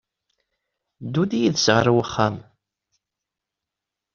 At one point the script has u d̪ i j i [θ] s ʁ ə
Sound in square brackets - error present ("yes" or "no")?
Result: yes